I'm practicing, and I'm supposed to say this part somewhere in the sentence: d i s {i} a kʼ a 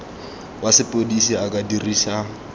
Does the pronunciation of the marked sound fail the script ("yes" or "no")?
no